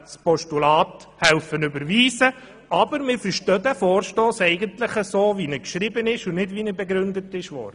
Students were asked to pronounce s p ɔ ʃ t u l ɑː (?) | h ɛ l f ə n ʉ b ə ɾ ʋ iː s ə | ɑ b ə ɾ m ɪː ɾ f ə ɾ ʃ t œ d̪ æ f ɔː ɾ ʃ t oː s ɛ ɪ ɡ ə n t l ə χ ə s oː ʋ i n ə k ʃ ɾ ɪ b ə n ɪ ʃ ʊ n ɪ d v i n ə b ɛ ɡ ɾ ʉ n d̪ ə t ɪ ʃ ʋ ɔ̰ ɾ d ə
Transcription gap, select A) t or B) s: A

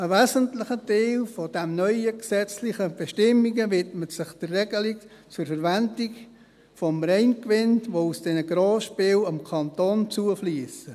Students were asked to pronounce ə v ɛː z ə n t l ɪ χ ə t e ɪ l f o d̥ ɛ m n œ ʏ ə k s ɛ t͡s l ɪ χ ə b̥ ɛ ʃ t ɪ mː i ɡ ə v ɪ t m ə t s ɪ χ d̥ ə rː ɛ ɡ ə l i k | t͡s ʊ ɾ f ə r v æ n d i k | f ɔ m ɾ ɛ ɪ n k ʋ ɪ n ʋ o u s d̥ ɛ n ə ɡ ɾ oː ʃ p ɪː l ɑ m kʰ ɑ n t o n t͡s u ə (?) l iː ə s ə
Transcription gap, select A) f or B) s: A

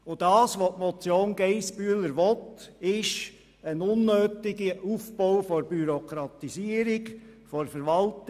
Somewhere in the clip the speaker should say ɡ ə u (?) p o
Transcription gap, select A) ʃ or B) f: B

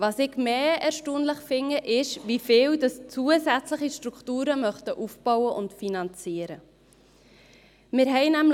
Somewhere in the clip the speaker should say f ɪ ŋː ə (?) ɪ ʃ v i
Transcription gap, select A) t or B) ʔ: B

